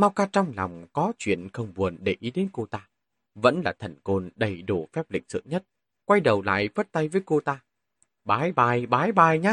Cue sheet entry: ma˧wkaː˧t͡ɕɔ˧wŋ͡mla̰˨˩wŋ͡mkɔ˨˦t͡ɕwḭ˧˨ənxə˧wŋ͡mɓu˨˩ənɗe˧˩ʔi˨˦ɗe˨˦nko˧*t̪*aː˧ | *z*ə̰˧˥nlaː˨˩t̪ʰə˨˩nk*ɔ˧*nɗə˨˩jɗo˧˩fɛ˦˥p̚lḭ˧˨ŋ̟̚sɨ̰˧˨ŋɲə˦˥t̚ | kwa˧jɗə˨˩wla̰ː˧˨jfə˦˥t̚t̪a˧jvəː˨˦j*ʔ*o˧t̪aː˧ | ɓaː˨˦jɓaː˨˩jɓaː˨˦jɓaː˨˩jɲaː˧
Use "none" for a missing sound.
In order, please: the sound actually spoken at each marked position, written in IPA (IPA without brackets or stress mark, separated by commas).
t̪, v, o˧, k